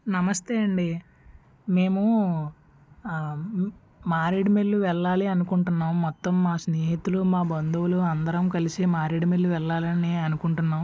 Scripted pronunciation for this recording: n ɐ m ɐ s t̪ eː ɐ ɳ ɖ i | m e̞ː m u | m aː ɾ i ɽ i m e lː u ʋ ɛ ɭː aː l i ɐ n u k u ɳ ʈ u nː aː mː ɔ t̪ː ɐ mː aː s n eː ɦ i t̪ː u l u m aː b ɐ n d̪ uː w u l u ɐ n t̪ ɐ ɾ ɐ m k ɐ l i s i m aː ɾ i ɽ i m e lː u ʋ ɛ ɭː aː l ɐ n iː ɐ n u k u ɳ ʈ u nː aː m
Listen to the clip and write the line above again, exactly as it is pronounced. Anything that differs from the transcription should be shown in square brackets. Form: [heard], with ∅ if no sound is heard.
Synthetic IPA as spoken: n ɐ m ɐ s t̪ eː ɐ ɳ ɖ i | m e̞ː m u | m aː ɾ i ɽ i m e lː u ʋ ɛ ɭː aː l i ɐ n u k u ɳ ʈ u nː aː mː ɔ t̪ː ɐ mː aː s n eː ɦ i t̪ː u l u m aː b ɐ n d̪ [u] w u l u ɐ n [d̪] ɐ ɾ ɐ m k ɐ l i s i m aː ɾ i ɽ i m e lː u ʋ ɛ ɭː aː l ɐ n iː ɐ n u k u ɳ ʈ u nː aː m

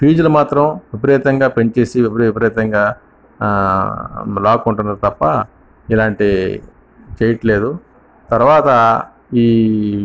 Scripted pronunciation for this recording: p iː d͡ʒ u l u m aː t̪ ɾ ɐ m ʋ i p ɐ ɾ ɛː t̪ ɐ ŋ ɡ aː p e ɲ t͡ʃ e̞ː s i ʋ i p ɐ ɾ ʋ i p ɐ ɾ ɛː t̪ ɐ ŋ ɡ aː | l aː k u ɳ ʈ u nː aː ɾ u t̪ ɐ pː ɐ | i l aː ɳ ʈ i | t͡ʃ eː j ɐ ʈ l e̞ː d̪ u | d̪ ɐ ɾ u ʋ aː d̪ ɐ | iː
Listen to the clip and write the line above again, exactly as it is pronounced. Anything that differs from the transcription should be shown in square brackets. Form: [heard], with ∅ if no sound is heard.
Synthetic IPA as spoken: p iː d͡ʒ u l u m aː t̪ ɾ ɐ m ʋ i p ɐ ɾ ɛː t̪ ɐ ŋ ɡ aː p e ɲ t͡ʃ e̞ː s i ʋ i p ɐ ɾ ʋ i p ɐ ɾ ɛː t̪ ɐ ŋ ɡ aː | l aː k u ɳ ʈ u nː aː ɾ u t̪ ɐ pː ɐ | i l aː ɳ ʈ i | t͡ʃ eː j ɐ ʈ l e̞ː d̪ u | [t̪] ɐ ɾ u ʋ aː [t̪] ɐ | iː

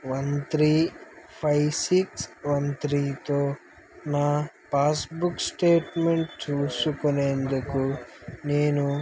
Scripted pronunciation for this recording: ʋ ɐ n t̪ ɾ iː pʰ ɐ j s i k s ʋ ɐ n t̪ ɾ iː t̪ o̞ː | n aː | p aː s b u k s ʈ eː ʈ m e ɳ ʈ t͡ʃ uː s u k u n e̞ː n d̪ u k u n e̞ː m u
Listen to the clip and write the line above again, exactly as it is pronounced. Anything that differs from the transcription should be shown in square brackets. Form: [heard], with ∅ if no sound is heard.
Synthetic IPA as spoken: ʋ ɐ n t̪ ɾ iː pʰ ɐ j s i k s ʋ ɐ n t̪ ɾ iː t̪ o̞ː | n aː | p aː s b u k s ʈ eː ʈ m e ɳ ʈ t͡ʃ uː s u k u n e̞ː n d̪ u k u n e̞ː [n] u

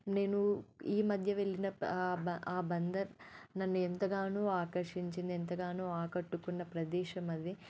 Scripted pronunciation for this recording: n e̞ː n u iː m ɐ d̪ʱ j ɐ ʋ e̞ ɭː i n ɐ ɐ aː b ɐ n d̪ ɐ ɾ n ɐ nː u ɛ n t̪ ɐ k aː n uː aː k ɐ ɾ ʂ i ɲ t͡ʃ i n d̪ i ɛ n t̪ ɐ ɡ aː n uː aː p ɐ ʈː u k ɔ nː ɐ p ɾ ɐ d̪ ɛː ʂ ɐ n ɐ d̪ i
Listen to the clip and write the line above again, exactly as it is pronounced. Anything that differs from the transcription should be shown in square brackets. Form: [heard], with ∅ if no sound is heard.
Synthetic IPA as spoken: n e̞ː n u iː m ɐ d̪ʱ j ɐ ʋ e̞ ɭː i n ɐ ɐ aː b ɐ n d̪ ɐ ɾ n ɐ nː u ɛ n t̪ ɐ [ɡ] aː n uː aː k ɐ ɾ ʂ i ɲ t͡ʃ i n d̪ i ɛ n t̪ ɐ ɡ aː n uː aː [k] ɐ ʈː u k [u] nː ɐ p ɾ ɐ d̪ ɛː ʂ ɐ [m] ɐ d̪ i

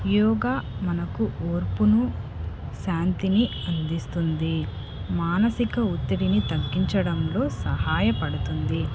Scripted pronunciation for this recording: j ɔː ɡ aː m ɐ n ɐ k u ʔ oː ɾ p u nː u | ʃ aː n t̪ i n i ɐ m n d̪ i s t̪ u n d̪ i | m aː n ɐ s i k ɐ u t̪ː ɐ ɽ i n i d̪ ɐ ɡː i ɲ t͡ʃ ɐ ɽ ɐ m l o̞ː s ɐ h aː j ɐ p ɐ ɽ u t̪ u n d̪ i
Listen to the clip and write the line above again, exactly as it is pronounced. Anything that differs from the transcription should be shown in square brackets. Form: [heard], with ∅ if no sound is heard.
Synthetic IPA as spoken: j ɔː ɡ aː m ɐ n ɐ k u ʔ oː ɾ p u [n] u | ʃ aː n t̪ i n i ɐ [∅] n d̪ i s t̪ u n d̪ i | m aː n ɐ s i k ɐ u t̪ː ɐ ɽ i n i [t̪] ɐ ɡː i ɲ t͡ʃ ɐ ɽ ɐ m l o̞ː s ɐ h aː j ɐ p ɐ ɽ u t̪ u n d̪ i

